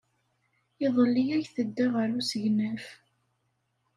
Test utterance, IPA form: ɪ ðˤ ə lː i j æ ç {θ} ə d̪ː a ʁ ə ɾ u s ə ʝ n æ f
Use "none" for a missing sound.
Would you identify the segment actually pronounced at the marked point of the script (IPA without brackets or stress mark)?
θ